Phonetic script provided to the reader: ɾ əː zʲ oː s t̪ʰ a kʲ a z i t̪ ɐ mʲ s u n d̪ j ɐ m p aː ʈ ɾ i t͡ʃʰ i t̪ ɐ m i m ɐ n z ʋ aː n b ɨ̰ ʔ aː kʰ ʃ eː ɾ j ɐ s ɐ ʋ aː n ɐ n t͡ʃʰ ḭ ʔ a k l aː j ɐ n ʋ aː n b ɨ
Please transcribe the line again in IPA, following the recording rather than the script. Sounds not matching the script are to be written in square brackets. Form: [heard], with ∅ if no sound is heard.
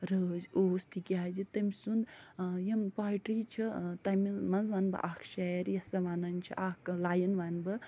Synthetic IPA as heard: ɾ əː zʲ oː s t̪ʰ [i] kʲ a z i t̪ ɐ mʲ s u n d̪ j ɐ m p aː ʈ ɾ i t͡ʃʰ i t̪ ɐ m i m ɐ n z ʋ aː n b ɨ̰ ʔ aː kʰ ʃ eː ɾ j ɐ s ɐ ʋ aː n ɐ n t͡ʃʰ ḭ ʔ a k l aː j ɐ n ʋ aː n b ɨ